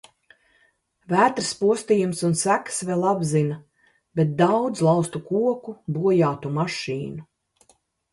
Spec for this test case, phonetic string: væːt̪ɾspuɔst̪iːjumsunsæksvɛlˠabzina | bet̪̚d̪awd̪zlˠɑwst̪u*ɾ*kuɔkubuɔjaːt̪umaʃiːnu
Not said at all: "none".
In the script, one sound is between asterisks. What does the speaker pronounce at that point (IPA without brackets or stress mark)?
none